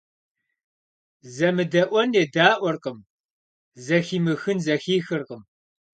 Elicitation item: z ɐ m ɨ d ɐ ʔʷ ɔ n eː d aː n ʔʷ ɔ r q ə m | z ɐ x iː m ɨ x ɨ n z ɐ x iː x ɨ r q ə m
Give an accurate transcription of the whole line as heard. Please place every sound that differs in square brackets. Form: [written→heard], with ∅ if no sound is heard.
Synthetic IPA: z ɐ m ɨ d ɐ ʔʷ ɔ n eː d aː [n→∅] ʔʷ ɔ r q ə m | z ɐ x iː m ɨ x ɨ n z ɐ x iː x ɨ r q ə m